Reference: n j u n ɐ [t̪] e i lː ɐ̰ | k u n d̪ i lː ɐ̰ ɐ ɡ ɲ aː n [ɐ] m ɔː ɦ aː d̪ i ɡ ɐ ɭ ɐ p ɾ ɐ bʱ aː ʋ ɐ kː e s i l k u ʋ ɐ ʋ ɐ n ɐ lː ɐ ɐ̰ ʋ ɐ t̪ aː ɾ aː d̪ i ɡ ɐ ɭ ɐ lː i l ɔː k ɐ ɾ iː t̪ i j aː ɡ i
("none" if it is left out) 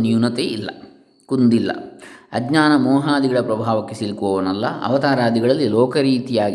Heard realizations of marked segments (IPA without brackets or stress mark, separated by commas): t̪, ɐ